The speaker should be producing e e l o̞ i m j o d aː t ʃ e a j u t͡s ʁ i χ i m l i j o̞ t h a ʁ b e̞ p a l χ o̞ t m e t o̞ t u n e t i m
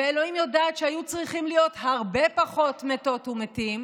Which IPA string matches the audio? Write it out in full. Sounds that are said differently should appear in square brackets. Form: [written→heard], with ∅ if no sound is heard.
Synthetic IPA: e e l o̞ i m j o d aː t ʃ e a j u t͡s ʁ i χ i m l i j o̞ t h a ʁ b e̞ p a [l→∅] χ o̞ t m e t o̞ t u [n→m] e t i m